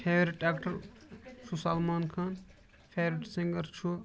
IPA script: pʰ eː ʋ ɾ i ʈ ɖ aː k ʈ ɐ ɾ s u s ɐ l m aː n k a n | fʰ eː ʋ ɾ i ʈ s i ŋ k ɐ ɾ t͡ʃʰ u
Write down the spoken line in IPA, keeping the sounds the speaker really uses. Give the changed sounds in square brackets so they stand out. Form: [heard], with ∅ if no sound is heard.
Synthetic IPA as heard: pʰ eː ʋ ɾ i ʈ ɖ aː k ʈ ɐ ɾ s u s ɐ l m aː n [kʰ] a n | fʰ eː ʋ ɾ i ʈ s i ŋ [ɡ] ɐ ɾ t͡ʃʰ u

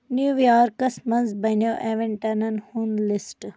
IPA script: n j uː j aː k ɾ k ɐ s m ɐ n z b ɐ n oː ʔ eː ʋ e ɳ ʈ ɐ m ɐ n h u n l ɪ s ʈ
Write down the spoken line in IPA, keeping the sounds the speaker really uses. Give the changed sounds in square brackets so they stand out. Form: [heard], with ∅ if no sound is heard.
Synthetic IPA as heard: n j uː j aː [∅] ɾ k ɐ s m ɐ n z b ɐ n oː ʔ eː ʋ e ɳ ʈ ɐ [n] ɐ n h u n l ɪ s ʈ

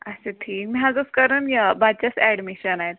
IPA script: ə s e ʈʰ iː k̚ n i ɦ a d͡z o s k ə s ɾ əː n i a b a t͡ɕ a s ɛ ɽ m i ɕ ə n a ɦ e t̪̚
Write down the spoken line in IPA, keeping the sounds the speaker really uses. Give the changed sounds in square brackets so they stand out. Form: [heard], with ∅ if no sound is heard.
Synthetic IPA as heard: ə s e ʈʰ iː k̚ [m] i ɦ a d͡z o s k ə [∅] ɾ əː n [j] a b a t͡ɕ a s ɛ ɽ m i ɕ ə n a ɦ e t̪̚

